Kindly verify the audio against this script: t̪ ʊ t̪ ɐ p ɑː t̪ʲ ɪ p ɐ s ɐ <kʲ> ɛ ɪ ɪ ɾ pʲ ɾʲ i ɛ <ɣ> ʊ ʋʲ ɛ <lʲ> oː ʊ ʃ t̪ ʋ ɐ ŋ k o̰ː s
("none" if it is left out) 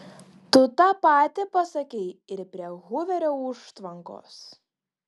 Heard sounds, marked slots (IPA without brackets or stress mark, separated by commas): kʲ, ɣ, ɾʲ